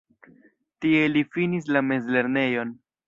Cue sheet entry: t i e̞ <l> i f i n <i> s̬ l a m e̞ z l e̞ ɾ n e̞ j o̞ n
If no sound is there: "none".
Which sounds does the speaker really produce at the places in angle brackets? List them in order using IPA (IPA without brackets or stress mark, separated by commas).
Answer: l, i